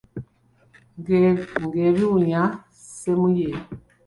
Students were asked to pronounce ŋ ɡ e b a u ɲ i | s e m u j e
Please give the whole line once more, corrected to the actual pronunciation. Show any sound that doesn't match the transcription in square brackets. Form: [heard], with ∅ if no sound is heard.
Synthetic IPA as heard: ŋ ɡ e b [i] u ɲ [a] | s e m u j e